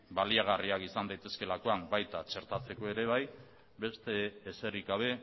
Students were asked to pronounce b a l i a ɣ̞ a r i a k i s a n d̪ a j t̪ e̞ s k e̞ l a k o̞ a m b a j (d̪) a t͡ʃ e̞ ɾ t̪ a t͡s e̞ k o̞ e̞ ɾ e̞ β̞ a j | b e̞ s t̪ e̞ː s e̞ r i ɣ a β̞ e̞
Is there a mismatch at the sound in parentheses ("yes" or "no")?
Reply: yes